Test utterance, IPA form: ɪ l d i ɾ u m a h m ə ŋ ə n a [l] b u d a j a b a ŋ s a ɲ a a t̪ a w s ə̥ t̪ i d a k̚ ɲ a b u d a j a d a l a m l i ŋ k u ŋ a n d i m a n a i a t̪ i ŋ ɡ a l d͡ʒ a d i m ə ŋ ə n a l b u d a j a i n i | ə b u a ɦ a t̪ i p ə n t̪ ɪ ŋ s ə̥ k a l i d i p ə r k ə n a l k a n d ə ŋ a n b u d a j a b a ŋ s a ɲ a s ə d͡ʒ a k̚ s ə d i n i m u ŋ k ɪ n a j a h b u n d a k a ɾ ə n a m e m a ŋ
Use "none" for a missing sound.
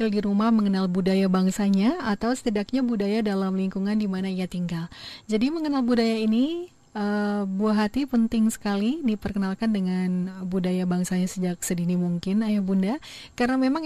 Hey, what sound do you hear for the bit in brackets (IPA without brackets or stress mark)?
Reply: l